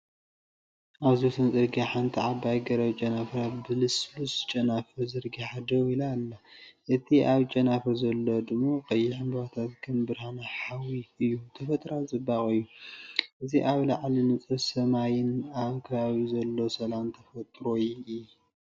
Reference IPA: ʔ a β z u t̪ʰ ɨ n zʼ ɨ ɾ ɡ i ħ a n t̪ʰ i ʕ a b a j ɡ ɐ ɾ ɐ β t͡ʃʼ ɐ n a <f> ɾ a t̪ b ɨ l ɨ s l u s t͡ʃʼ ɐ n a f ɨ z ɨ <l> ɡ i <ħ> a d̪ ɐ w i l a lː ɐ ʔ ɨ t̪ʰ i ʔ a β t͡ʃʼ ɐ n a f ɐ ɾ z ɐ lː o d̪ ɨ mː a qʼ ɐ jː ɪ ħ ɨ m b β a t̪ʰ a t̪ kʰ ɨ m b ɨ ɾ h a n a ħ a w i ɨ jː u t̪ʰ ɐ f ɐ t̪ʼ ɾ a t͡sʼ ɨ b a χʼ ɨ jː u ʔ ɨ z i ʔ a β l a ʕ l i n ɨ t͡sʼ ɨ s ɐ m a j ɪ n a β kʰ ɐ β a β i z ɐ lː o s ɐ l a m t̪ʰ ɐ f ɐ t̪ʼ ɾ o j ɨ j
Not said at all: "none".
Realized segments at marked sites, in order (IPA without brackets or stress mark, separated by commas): f, ɾ, ħ